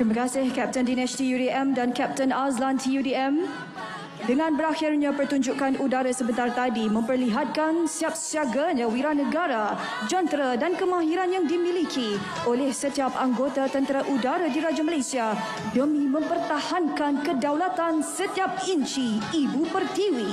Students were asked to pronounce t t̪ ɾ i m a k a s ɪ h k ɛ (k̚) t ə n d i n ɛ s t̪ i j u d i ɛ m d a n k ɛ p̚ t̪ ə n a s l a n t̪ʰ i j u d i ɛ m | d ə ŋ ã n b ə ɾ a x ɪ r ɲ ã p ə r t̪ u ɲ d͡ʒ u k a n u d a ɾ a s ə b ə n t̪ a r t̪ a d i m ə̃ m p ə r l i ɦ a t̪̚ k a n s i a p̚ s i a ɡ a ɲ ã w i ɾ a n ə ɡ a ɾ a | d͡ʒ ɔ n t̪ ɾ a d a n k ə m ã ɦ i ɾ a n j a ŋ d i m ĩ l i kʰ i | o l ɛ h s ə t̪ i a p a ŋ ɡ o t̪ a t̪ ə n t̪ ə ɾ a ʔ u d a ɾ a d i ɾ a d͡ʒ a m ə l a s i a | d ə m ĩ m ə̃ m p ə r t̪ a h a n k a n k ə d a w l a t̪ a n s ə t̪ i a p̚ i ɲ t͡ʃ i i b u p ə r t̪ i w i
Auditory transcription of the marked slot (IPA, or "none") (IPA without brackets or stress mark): p̚